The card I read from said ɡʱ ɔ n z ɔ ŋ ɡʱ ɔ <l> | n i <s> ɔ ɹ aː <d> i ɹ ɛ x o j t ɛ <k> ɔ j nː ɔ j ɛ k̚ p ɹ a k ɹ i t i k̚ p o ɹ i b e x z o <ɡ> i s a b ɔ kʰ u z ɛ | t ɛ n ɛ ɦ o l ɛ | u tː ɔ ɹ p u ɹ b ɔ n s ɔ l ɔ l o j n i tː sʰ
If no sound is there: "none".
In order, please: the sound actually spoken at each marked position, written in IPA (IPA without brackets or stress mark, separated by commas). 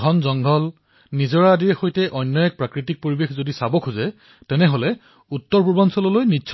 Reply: l, z, d, ʔ, d